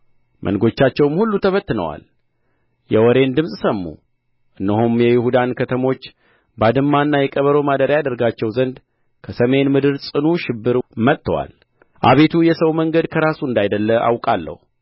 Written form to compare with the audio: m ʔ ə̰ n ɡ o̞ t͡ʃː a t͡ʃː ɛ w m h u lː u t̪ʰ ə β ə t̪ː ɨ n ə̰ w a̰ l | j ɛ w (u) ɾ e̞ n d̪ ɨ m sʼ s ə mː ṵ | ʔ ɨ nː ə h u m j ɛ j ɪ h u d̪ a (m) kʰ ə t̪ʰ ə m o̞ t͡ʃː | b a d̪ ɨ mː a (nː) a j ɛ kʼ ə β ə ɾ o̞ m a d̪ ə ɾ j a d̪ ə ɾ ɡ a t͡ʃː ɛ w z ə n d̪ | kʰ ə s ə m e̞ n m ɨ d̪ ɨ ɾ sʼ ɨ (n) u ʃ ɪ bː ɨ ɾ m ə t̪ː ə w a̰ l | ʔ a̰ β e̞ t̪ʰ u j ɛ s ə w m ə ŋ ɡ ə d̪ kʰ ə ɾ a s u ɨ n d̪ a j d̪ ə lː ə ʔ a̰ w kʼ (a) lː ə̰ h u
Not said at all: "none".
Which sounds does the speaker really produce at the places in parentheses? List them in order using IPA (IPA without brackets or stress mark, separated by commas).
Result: ɔ, n, nː, n, a